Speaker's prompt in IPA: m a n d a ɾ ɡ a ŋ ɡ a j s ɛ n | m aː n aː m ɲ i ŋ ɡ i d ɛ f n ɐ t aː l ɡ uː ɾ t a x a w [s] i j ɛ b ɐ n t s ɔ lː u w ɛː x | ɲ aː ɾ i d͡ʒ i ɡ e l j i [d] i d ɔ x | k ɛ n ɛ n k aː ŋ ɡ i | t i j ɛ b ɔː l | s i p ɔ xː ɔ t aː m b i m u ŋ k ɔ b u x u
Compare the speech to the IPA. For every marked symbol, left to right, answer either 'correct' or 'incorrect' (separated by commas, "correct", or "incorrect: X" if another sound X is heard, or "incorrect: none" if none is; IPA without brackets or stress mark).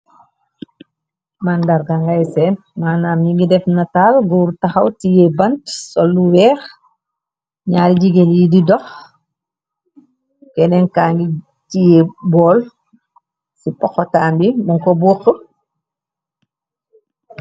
incorrect: t, correct